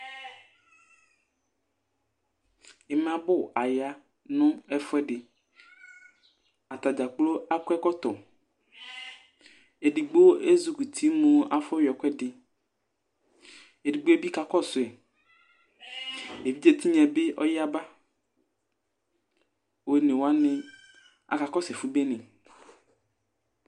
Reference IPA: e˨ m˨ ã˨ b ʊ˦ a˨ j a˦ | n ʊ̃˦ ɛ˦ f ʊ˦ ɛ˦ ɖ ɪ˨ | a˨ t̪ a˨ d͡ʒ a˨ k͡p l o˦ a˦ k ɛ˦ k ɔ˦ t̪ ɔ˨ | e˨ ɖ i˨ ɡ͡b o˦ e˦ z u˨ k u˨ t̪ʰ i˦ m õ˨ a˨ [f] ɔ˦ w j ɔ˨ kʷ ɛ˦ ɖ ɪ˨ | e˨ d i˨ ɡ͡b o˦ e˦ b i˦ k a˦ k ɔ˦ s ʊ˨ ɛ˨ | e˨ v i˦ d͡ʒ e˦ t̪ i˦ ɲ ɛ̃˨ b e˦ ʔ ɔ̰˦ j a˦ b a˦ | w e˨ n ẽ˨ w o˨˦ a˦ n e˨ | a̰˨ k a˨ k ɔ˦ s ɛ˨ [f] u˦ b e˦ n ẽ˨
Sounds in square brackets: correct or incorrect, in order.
correct, correct

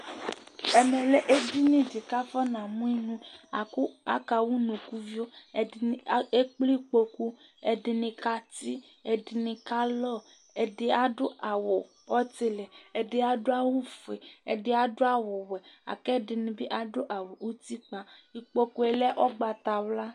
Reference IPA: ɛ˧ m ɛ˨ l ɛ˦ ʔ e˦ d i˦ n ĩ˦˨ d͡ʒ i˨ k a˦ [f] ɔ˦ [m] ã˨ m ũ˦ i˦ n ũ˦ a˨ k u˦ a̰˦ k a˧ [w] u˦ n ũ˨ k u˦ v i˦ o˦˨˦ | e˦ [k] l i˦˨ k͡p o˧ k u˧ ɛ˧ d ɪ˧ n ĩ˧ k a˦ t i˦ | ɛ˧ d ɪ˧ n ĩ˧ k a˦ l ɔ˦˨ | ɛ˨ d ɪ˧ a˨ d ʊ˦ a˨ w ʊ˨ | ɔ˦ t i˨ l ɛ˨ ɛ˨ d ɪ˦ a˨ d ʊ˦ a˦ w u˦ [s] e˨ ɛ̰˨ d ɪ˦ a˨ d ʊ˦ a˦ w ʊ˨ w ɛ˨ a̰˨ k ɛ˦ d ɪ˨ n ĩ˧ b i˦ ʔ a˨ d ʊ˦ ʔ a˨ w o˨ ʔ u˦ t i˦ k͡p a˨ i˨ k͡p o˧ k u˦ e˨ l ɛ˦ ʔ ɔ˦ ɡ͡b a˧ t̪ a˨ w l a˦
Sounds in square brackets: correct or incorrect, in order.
correct, incorrect: n, correct, incorrect: k͡p, incorrect: f

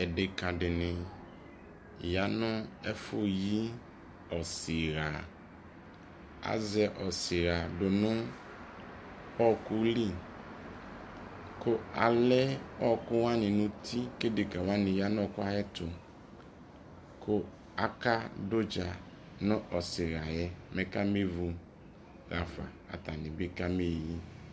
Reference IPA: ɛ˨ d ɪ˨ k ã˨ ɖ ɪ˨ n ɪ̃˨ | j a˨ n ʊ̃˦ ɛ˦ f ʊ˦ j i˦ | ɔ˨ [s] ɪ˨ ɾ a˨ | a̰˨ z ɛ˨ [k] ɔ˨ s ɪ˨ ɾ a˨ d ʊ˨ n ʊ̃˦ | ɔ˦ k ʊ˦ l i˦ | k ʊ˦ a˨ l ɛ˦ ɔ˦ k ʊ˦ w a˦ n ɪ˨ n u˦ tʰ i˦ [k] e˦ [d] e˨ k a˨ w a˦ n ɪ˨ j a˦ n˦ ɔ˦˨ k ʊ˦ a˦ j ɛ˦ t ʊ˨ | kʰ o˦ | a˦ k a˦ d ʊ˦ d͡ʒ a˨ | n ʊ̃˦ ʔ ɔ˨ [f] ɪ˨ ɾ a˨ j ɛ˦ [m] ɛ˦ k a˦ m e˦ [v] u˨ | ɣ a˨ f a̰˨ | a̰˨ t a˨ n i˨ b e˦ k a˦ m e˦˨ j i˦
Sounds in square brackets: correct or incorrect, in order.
correct, incorrect: ʔ, correct, correct, incorrect: s, correct, correct

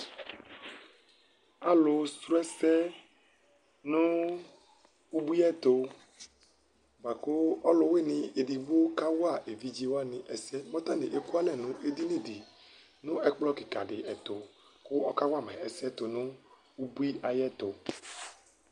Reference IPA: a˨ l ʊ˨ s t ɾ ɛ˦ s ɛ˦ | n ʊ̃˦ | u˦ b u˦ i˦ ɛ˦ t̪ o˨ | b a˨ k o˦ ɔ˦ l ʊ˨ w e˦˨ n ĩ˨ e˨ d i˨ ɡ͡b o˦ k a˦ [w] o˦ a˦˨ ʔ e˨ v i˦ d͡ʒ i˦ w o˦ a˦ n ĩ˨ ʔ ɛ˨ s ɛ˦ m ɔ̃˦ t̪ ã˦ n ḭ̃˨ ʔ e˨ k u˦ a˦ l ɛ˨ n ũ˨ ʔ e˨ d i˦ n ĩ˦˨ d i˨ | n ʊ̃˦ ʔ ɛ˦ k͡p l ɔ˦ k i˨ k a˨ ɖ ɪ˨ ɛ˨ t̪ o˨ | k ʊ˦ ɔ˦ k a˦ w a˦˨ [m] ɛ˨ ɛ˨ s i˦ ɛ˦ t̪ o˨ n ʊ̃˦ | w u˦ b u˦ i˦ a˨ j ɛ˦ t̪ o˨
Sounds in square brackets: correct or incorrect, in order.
correct, correct

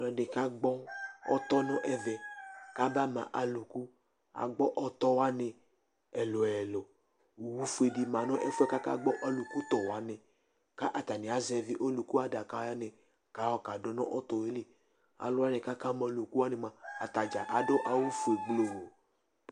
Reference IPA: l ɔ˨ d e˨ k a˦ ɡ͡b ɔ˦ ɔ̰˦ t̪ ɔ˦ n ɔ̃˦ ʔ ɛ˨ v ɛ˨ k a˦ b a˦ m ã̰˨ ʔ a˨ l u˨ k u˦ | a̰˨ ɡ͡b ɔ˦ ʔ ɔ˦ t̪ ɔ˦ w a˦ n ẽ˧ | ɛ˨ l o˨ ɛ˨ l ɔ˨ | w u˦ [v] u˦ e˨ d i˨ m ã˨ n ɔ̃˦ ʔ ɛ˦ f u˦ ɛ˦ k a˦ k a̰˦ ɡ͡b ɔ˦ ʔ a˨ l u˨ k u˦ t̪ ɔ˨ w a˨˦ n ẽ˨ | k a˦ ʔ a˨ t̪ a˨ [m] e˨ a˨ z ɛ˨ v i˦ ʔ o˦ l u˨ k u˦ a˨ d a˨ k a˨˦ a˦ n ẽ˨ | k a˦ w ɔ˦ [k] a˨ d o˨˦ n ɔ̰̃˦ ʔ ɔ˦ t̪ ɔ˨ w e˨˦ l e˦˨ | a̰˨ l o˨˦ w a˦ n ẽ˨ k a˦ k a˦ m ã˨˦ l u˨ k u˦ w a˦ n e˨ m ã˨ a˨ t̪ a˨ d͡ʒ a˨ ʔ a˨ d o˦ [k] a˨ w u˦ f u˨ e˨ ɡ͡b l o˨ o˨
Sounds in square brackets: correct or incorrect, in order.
incorrect: f, incorrect: n, correct, incorrect: ʔ

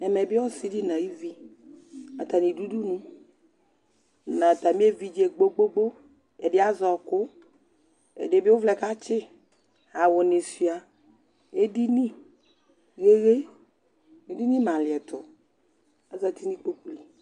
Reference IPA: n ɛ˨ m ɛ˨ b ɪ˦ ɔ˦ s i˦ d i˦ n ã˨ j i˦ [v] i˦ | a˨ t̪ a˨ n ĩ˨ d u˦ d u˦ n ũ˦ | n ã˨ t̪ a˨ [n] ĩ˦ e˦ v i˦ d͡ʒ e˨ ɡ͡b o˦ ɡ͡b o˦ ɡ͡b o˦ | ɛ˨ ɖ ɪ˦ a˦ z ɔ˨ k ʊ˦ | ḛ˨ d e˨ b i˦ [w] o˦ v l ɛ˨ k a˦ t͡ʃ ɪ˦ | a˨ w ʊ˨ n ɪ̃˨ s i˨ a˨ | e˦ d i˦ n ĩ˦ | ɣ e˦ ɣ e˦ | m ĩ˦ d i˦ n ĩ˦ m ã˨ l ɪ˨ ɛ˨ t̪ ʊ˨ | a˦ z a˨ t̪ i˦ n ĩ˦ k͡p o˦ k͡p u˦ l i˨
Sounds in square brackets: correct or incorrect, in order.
correct, incorrect: m, correct

